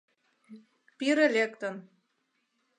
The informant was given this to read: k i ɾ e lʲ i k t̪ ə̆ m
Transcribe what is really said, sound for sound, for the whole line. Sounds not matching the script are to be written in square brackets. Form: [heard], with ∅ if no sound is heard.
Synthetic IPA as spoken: [p] i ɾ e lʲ [e] k t̪ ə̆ [n]